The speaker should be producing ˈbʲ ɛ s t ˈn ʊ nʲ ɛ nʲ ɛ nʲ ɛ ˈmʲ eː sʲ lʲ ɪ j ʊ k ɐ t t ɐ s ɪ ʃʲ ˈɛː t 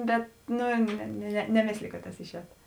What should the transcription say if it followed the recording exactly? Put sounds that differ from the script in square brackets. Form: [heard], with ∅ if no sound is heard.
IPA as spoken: ˈbʲ ɛ [∅] t ˈn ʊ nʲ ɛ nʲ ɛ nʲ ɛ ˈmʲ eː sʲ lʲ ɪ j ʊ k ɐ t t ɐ s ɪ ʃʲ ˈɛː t